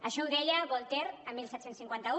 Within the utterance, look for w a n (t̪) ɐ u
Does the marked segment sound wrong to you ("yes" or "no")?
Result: no